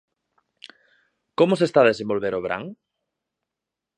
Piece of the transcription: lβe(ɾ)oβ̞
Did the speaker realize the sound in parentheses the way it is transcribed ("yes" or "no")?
yes